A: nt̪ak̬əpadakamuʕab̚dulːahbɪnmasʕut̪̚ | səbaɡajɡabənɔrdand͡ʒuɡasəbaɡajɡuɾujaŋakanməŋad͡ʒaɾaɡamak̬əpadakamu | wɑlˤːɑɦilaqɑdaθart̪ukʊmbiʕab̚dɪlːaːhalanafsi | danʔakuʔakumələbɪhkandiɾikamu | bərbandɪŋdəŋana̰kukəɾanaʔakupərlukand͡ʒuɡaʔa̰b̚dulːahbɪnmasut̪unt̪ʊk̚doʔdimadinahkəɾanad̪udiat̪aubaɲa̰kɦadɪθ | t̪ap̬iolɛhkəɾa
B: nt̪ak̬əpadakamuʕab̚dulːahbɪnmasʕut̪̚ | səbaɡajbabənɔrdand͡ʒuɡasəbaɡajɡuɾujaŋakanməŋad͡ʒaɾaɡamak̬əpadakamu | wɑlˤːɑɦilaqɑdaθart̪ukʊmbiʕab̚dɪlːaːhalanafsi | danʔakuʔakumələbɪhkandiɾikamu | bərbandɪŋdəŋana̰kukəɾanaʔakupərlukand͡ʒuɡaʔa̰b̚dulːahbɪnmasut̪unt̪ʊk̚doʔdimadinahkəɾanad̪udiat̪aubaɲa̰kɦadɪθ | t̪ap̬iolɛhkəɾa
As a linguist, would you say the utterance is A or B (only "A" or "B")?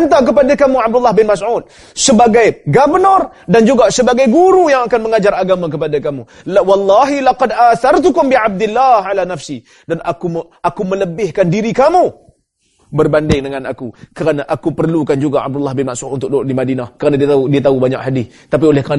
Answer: A